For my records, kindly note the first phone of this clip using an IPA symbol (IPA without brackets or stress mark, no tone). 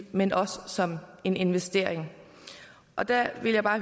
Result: m